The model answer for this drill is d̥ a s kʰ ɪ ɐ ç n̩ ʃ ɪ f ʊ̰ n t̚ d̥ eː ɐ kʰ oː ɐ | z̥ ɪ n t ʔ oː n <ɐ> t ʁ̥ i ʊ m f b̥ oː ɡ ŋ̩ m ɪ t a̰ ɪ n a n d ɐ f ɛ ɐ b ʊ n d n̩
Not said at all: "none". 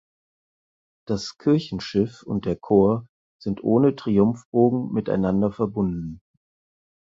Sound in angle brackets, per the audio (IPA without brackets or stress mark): ə